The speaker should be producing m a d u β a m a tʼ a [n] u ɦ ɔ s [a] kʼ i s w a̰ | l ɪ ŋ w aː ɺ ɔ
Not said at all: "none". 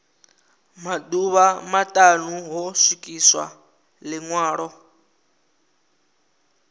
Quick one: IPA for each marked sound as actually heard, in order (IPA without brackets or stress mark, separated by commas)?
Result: n, i